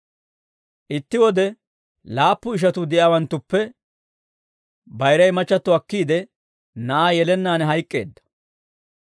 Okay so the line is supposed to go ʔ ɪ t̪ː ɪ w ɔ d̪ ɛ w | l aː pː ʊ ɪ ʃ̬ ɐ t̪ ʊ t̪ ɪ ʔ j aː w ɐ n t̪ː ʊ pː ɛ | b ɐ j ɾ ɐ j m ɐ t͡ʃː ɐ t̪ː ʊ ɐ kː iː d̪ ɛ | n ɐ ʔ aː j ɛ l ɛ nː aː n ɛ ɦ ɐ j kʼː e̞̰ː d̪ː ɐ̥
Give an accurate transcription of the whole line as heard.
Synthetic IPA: ʔ ɪ t̪ː ɪ w ɔ d̪ ɛ | l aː pː ʊ ɪ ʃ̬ ɐ t̪ ʊ d̪ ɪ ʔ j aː w ɐ n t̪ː ʊ pː ɛ | b ɐ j ɾ ɐ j m ɐ t͡ʃː ɐ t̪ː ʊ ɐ kː iː d̪ ɛ | n ɐ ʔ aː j ɛ l ɛ nː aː n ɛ ɦ ɐ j kʼː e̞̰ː d̪ː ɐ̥